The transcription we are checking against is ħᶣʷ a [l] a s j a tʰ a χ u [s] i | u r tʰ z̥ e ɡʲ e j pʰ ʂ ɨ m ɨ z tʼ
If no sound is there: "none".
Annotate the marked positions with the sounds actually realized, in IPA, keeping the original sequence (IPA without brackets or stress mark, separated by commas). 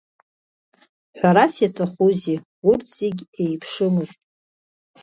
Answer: ɾ, z